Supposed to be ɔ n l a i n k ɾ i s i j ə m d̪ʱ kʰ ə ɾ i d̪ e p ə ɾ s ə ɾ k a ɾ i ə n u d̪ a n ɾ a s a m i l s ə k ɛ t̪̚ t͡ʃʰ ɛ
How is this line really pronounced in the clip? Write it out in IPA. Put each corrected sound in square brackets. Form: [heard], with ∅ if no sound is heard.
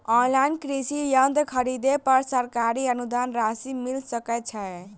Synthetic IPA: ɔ n l a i n k ɾ i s i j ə [n] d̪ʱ kʰ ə ɾ i d̪ e p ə ɾ s ə ɾ k a ɾ i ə n u d̪ a n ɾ a s [i] m i l s ə k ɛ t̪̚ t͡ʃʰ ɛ